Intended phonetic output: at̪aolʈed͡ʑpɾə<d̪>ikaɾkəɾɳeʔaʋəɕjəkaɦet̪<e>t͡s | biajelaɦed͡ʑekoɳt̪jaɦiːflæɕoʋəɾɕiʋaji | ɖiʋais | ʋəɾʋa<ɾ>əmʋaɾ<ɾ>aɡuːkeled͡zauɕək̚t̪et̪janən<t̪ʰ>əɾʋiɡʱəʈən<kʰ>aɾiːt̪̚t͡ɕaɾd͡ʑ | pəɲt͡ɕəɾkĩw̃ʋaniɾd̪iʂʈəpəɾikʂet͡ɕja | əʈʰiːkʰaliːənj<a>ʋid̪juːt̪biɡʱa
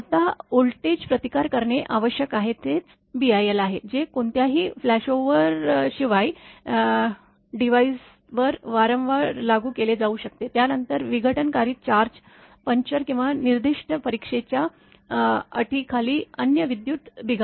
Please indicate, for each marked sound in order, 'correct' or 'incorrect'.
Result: incorrect, correct, correct, incorrect, incorrect, incorrect, incorrect

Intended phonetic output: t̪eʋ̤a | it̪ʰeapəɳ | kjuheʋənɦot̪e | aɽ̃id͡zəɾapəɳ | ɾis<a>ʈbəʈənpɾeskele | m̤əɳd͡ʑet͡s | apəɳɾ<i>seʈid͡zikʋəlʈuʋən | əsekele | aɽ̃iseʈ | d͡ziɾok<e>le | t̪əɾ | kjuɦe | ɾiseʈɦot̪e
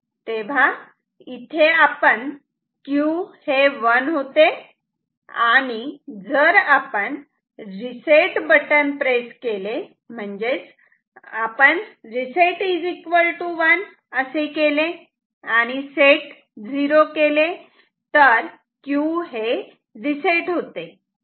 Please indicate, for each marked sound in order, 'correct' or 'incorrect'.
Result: incorrect, correct, correct

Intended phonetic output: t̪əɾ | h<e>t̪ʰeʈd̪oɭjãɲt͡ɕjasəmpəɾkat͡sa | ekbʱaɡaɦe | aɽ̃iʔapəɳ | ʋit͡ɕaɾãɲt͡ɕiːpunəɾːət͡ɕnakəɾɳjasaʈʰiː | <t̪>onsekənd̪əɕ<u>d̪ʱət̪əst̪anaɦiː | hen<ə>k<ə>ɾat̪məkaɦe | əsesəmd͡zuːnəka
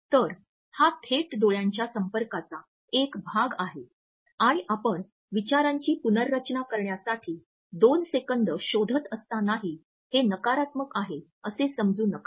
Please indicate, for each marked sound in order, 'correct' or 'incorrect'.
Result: incorrect, incorrect, incorrect, correct, incorrect

